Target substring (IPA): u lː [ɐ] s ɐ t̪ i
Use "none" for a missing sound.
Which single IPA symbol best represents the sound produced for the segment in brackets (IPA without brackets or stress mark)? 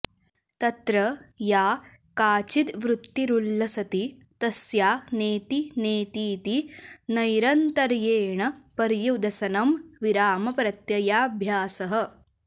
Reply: ɐ